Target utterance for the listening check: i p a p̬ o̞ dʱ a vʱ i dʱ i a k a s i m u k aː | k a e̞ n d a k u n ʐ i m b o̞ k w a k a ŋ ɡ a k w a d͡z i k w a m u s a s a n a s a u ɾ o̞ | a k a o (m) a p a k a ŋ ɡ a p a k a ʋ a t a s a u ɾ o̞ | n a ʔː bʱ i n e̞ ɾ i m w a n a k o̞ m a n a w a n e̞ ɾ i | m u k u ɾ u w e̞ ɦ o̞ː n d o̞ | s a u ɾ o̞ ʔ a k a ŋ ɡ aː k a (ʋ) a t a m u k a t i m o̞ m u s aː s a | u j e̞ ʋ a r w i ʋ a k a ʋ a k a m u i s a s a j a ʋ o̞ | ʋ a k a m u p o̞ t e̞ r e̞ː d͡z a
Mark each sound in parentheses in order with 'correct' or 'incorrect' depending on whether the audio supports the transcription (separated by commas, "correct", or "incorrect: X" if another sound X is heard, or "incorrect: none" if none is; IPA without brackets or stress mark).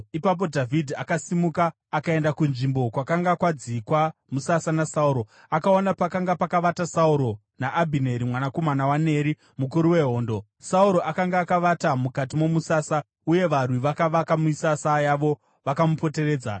incorrect: n, correct